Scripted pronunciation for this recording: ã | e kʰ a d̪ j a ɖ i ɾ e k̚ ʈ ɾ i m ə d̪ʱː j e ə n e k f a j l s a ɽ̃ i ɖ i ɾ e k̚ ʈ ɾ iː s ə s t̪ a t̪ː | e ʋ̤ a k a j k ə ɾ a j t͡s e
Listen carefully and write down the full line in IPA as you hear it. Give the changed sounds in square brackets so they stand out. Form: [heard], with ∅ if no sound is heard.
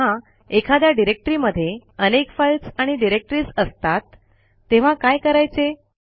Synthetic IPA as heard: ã | e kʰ a d̪ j a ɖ i ɾ e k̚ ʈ ɾ i m ə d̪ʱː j e ə n e k f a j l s a ɽ̃ i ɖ i ɾ e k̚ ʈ ɾ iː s ə s t̪ a t̪ː | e ʋ̤ a k a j k ə ɾ a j t͡s e

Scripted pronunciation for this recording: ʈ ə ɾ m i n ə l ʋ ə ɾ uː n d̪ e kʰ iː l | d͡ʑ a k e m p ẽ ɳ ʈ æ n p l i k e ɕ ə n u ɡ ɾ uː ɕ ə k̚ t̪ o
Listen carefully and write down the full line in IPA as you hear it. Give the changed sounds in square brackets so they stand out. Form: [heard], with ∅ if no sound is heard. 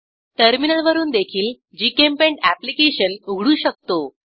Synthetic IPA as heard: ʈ ə ɾ m i n ə l ʋ ə ɾ uː n d̪ e kʰ iː l | d͡ʑ [i] k e m p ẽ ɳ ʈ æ [∅] p l i k e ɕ ə n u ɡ [ɽ] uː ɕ ə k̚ t̪ o

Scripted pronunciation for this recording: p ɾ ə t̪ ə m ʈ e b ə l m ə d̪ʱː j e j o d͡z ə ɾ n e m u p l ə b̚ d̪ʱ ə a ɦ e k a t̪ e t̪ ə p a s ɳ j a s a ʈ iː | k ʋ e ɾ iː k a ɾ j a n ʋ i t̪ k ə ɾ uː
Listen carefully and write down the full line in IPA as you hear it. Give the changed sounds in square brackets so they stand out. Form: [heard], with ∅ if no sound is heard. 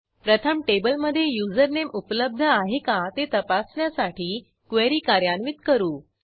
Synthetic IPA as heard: p ɾ ə [t̪ʰ] ə m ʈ e b ə l m ə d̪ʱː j e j [u] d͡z ə ɾ n e m u p l ə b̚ d̪ʱ ə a ɦ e k a t̪ e t̪ ə p a s ɳ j a s a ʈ iː | k ʋ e ɾ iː k a ɾ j a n ʋ i t̪ k ə ɾ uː

